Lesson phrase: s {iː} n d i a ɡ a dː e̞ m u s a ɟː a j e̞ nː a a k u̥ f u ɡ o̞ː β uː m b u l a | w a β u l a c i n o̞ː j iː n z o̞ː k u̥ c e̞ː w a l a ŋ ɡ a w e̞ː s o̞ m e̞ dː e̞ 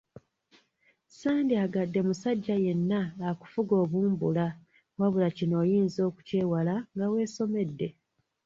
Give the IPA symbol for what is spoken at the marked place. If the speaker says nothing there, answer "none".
aː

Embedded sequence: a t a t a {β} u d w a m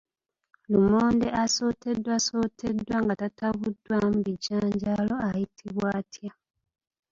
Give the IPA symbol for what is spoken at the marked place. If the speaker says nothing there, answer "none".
β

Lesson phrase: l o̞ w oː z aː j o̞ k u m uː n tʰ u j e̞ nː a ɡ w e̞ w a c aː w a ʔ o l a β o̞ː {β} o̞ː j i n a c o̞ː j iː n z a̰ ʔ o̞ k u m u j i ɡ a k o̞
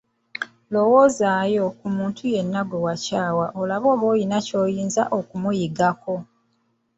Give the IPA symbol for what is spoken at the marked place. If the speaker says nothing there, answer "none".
β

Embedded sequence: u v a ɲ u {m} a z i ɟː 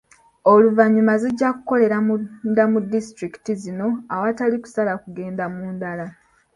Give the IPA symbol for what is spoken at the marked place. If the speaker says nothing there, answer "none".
m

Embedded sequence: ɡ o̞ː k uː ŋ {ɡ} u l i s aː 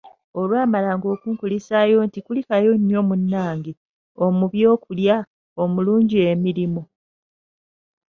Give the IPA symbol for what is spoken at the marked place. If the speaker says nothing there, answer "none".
k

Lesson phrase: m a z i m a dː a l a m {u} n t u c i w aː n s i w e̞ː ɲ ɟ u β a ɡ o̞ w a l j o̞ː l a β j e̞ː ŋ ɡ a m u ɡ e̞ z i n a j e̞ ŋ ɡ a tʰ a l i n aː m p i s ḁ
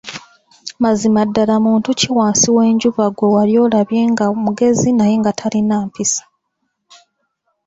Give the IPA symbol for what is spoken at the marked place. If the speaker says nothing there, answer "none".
uː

